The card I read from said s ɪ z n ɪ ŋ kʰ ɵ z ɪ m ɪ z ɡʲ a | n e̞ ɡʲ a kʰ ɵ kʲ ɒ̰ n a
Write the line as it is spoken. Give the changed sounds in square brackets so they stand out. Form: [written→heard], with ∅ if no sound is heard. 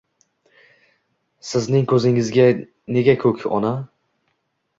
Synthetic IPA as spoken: s ɪ z n ɪ ŋ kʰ ɵ z ɪ [m→ŋ] ɪ z ɡʲ a | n e̞ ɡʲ a kʰ ɵ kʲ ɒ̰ n a